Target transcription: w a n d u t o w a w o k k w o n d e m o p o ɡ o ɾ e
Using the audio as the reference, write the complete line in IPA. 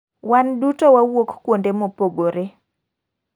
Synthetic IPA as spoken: w a n d u t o w a w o k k w o n d e m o p o ɡ o ɾ e